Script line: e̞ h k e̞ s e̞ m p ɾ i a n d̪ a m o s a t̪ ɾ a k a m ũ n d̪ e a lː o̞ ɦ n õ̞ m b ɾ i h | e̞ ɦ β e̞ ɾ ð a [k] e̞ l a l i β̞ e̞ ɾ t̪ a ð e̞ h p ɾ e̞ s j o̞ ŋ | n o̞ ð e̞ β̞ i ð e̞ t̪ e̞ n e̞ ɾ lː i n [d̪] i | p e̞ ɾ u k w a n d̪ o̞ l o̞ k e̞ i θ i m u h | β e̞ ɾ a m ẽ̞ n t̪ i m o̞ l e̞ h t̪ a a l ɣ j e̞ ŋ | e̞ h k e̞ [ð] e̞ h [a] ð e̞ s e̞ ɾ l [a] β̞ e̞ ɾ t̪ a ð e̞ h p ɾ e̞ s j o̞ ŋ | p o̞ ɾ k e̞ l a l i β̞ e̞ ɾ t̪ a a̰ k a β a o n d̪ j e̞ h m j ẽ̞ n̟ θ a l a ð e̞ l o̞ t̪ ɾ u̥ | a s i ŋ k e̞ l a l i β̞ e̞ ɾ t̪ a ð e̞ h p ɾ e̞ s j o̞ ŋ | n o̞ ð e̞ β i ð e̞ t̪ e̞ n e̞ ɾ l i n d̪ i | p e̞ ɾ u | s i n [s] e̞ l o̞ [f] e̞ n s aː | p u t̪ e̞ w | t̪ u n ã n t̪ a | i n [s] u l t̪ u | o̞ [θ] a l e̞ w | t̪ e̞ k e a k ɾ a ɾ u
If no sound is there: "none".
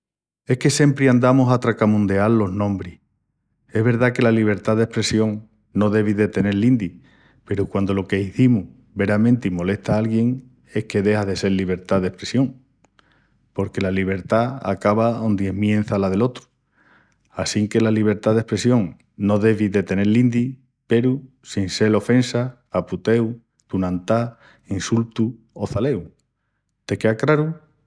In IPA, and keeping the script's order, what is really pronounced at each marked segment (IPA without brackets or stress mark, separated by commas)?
k, d̪, ð, a, i, s, f, s, θ